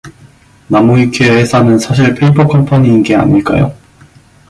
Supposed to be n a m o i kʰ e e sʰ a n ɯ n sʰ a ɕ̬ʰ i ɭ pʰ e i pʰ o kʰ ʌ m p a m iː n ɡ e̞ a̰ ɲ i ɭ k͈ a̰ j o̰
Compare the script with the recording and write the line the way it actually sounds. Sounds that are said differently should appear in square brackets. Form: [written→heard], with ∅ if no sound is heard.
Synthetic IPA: n a m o i kʰ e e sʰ a n ɯ n sʰ a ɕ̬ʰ i ɭ pʰ e i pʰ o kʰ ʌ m [p→pʰ] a [m→ɲ] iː n ɡ e̞ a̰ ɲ i ɭ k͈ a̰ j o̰